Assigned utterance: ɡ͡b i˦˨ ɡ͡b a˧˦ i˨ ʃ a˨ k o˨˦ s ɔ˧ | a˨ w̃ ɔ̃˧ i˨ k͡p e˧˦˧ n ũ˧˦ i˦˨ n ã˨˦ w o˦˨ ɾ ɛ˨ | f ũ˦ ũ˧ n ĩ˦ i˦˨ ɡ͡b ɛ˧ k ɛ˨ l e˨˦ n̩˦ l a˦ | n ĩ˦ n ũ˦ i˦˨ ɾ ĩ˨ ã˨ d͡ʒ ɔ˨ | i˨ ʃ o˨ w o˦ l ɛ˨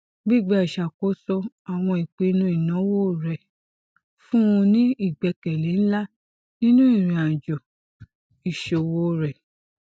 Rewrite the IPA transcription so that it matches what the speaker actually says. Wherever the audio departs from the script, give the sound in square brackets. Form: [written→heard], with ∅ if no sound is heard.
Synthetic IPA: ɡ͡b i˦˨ ɡ͡b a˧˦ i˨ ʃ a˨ k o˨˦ s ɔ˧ | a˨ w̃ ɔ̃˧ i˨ k͡p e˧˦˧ n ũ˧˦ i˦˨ n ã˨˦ w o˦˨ ɾ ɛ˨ | f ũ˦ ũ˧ n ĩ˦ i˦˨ ɡ͡b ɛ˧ k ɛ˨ l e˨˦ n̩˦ l a˦ | n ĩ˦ n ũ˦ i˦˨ ɾ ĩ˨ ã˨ d͡ʒ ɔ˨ | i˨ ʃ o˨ w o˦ [l→ɾ] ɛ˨